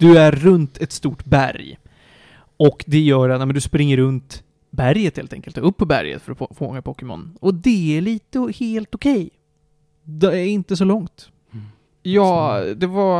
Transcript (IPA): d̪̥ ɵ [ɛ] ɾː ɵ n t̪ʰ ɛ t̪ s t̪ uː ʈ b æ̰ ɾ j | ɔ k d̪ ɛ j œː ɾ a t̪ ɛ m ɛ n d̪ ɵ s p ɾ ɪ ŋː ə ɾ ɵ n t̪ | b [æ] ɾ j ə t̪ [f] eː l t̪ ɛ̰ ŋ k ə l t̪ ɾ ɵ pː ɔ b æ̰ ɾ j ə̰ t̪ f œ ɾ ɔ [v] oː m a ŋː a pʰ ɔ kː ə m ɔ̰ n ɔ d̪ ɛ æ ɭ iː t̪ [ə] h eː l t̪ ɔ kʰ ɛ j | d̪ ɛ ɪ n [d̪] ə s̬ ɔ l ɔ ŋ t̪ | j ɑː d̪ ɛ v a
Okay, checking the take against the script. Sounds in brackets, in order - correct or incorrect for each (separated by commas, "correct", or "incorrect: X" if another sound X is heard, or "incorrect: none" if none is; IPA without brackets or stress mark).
incorrect: æ, correct, incorrect: h, incorrect: f, correct, incorrect: t̪